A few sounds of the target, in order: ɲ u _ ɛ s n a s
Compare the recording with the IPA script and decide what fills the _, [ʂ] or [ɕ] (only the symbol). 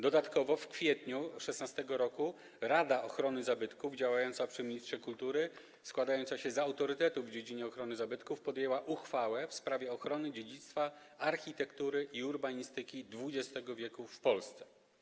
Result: ʂ